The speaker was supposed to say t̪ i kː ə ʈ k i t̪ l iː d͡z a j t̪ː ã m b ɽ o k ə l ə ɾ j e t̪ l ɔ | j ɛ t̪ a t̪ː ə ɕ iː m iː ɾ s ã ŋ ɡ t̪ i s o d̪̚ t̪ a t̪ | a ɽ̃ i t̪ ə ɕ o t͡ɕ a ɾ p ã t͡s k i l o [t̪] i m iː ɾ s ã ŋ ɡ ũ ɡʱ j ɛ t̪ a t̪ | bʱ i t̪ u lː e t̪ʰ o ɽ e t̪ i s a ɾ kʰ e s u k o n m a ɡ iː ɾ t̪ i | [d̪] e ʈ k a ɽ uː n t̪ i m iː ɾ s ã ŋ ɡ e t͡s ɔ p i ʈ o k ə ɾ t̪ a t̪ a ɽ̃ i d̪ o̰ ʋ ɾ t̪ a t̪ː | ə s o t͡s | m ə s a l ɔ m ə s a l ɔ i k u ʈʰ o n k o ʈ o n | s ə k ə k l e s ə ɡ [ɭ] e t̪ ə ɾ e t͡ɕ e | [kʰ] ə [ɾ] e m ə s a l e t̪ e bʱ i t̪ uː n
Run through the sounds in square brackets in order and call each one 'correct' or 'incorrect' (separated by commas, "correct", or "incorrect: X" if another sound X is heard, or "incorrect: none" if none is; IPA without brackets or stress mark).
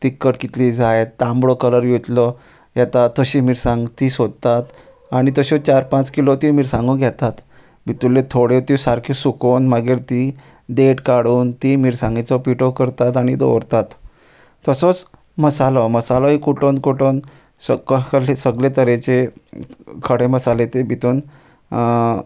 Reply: correct, correct, incorrect: l, correct, incorrect: ɽ